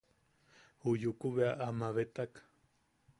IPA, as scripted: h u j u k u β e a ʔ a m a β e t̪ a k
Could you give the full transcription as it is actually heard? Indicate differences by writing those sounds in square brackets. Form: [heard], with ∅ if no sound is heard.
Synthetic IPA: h u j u k u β e a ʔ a m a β e t̪ a k